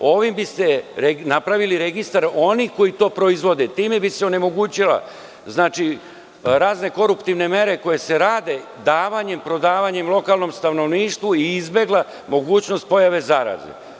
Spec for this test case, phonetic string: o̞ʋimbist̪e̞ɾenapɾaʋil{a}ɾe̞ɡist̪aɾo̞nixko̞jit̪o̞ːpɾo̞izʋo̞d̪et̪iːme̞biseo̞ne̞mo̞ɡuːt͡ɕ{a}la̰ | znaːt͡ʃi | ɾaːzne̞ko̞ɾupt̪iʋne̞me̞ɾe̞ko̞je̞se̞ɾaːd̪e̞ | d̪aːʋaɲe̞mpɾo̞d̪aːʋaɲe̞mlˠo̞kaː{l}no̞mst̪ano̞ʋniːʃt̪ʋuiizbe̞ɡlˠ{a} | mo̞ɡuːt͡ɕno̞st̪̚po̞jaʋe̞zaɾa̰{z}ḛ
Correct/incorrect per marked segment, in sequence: incorrect: i, incorrect: i, correct, correct, correct

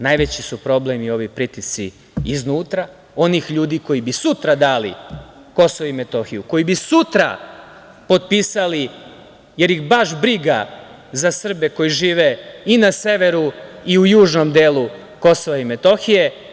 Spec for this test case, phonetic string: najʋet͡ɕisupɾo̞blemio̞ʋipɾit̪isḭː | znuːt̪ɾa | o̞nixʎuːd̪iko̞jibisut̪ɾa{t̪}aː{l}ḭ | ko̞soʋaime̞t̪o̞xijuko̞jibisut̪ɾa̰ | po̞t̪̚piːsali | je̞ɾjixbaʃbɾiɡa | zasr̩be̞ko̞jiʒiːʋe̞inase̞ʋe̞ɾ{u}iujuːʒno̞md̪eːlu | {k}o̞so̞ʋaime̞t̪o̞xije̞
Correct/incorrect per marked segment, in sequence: incorrect: d̪, correct, correct, correct

